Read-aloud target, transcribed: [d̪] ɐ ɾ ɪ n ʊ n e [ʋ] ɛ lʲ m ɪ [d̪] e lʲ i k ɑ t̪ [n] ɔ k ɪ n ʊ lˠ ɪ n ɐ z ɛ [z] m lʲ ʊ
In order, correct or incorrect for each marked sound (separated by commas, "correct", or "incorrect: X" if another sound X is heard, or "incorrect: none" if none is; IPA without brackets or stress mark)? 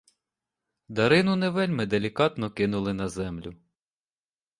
correct, correct, correct, correct, incorrect: none